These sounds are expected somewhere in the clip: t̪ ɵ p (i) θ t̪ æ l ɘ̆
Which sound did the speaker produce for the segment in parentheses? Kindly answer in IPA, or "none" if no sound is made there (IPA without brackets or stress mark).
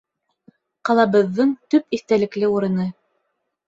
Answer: i